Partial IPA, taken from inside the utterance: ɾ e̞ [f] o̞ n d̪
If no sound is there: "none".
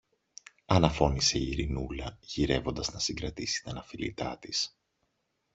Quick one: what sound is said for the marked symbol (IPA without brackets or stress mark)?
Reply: v